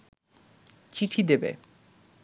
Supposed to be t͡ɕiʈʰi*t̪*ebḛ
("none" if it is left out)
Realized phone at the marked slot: d̪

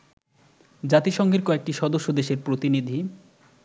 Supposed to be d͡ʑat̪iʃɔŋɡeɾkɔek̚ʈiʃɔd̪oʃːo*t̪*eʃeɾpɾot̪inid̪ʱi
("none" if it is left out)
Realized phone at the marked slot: d̪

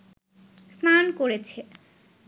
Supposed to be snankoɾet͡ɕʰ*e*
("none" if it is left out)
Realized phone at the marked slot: e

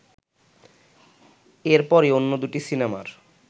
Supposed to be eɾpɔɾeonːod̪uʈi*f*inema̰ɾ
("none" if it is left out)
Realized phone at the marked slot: s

